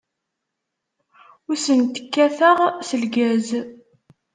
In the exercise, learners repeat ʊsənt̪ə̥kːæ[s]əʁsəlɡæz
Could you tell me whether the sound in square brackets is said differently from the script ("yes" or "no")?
yes